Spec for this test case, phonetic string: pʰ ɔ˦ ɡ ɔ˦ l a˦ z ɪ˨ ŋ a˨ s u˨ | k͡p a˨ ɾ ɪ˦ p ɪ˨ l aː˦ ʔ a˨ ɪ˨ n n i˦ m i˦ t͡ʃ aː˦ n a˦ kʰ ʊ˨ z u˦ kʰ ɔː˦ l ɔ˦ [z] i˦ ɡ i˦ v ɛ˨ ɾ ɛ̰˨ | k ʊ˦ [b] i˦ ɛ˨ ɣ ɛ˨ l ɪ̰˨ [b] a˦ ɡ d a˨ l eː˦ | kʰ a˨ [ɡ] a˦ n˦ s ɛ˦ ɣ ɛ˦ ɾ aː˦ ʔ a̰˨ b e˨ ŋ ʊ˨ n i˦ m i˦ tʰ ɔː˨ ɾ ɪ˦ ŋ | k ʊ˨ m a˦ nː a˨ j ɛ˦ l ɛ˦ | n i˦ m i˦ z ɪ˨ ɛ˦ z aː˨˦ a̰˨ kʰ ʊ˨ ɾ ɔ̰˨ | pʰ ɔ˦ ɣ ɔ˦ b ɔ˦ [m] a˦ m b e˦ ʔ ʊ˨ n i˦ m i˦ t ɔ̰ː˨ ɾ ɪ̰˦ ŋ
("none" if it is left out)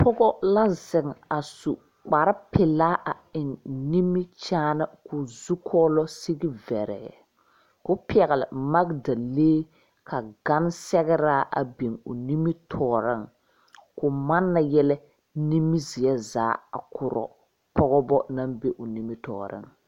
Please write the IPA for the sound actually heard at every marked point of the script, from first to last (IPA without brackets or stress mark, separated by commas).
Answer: s, p, m, ɡ, n